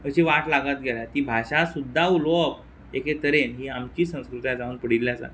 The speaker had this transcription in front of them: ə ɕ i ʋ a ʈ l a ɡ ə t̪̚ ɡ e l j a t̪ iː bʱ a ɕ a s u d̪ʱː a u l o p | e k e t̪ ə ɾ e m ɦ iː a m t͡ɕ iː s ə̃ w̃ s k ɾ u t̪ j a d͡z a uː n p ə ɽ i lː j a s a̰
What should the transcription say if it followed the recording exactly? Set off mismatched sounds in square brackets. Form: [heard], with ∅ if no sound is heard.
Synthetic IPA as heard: ə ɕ i ʋ a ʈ l a ɡ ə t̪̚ ɡ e l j a t̪ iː bʱ a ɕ a s u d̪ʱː a u l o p | e k e t̪ ə ɾ e [n] ɦ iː a m t͡ɕ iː s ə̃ w̃ s k ɾ u t̪ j a d͡z a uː n p ə ɽ i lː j a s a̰